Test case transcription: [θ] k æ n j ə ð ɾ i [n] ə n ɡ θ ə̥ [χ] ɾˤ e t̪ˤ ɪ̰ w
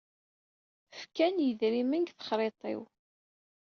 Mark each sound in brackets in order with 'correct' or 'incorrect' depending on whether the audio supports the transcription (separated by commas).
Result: incorrect, incorrect, correct